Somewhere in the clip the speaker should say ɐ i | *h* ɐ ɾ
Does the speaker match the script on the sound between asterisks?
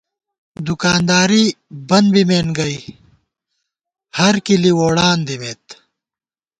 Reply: yes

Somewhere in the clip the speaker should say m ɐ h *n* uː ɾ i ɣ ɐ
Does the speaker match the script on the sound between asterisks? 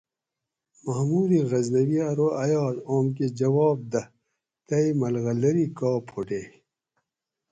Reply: no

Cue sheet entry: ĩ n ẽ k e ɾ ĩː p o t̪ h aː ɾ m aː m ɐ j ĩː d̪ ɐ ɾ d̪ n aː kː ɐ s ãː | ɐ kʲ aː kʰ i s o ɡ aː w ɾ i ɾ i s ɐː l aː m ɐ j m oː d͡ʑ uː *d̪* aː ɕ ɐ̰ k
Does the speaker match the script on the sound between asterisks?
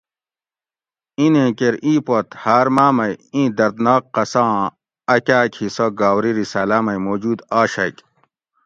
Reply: yes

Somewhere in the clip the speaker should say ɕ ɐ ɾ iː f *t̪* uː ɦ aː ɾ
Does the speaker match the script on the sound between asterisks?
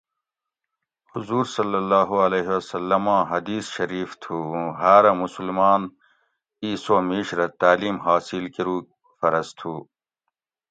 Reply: no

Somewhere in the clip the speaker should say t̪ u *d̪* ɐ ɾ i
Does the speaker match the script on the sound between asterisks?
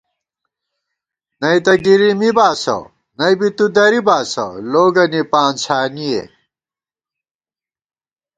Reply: yes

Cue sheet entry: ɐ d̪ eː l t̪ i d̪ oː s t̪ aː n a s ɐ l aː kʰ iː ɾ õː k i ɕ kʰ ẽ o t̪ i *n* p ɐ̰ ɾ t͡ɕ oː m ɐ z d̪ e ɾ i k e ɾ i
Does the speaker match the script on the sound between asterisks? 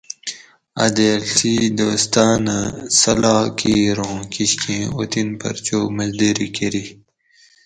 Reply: yes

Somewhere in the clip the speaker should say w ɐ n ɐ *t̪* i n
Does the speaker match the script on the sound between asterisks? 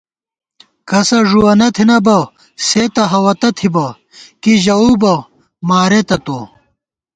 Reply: no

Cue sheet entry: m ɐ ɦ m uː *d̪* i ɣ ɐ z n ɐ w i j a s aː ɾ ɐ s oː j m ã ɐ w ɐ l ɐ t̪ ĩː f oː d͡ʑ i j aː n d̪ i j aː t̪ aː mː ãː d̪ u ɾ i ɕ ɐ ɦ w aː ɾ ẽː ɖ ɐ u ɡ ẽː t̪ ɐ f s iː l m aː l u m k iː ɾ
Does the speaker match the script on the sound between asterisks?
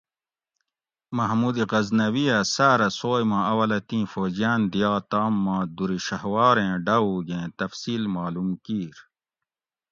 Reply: yes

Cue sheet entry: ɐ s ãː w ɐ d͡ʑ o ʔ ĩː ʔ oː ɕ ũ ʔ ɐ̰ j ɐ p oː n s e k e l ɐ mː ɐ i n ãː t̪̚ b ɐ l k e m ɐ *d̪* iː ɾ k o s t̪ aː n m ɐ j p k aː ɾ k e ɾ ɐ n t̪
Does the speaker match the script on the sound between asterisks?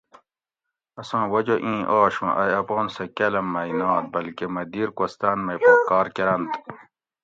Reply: yes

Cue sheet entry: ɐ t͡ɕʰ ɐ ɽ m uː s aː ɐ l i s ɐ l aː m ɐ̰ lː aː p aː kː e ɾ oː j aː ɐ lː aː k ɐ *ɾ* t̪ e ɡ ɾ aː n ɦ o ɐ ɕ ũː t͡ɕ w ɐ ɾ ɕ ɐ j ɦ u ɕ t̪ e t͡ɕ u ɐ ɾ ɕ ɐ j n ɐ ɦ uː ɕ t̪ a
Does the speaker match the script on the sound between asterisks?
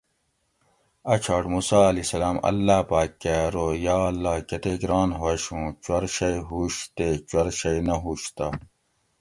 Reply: no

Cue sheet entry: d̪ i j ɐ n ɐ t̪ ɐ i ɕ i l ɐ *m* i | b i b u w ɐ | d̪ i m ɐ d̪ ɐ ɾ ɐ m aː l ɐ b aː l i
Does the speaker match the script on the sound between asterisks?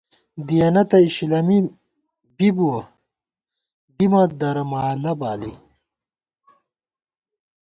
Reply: yes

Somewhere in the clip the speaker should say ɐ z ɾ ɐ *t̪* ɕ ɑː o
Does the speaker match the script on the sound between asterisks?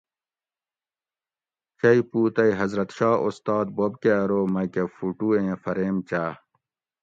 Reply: yes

